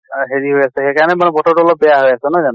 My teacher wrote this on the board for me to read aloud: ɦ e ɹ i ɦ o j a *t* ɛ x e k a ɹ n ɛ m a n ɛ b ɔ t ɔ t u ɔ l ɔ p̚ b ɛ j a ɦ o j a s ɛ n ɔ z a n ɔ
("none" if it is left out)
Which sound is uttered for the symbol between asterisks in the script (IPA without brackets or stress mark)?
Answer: s